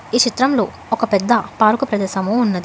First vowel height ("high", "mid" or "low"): high